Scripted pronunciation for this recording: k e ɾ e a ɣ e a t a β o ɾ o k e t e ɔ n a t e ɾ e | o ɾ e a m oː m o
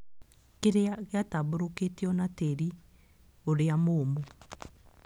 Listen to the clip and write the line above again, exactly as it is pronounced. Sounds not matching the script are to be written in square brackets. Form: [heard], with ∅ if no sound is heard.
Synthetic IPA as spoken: k e ɾ e a ɣ e a t a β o ɾ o k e t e ɔ n a t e ɾ [i] | o ɾ e a m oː m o